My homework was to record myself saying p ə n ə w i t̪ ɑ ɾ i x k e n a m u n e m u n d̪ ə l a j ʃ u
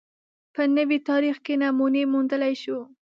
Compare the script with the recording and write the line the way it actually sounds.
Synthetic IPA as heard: p ə n ə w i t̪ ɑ ɾ i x k e n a m u n e m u n d̪ ə l a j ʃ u